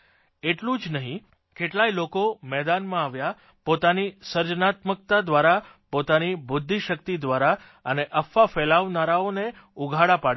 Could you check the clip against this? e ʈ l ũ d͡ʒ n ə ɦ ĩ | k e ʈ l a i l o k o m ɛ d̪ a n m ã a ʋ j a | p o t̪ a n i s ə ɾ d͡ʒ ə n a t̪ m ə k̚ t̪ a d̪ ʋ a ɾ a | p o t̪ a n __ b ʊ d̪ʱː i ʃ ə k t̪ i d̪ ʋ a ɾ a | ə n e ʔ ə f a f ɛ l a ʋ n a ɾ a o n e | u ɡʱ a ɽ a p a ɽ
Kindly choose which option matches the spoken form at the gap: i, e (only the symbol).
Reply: i